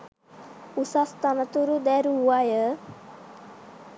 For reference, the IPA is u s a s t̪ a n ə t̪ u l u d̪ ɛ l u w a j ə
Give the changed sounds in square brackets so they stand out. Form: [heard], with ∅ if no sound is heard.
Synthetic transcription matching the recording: u s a s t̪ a n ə t̪ u [ɾ] u d̪ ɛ [ɾ] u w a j ə